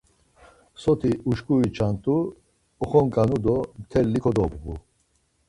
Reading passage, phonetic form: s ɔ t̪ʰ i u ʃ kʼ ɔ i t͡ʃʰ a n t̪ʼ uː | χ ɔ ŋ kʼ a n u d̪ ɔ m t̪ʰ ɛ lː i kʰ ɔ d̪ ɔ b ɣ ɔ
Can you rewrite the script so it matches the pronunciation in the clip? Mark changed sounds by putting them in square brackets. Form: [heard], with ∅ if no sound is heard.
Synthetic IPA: s ɔ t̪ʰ i u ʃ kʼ [u] i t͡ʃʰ a n t̪ʼ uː | χ ɔ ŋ kʼ a n u d̪ ɔ m t̪ʰ ɛ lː i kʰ ɔ d̪ ɔ b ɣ [u]